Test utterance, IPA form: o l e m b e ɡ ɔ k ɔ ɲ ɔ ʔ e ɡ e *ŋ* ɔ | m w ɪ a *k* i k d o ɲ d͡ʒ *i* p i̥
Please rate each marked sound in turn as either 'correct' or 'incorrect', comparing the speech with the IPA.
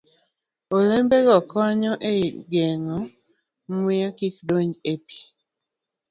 correct, correct, incorrect: e

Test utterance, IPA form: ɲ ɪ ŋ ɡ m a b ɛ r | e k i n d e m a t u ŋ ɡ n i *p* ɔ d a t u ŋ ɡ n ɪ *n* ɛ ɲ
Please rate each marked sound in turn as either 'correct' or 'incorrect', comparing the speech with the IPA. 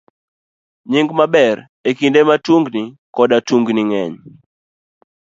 incorrect: k, incorrect: ŋ

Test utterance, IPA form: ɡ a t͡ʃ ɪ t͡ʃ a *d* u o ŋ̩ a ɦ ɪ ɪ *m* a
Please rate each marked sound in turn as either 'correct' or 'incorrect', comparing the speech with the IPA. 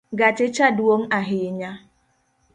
correct, incorrect: ɲ

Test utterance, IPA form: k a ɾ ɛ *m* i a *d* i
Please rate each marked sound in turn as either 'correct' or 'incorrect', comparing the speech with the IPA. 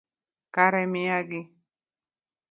correct, incorrect: ɡ

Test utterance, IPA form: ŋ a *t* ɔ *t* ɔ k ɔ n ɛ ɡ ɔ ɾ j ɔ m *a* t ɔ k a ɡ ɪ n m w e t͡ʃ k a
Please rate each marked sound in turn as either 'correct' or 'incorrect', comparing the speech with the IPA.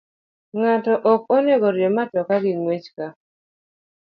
correct, incorrect: ʔ, correct

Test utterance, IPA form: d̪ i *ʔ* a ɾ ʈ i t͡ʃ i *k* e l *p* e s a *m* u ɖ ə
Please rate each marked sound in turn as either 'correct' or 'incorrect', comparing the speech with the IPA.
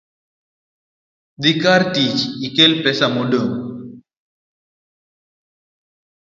incorrect: k, correct, correct, correct

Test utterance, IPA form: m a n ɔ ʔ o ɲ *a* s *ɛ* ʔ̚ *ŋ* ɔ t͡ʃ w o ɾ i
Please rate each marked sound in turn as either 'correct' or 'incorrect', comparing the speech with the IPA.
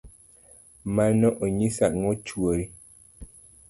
incorrect: i, incorrect: a, correct

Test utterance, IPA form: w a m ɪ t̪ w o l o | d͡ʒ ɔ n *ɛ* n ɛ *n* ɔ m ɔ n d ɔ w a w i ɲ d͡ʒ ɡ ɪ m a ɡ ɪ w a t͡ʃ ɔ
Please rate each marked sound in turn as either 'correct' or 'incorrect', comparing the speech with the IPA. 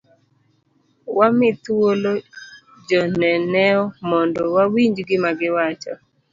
correct, incorrect: none

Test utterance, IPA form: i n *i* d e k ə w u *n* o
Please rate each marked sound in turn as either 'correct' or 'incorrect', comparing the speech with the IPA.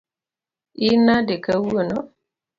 incorrect: a, correct

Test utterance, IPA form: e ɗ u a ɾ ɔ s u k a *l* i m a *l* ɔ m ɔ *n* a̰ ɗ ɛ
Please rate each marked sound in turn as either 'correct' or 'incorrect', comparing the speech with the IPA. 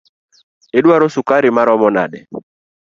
incorrect: ɾ, incorrect: ɾ, correct

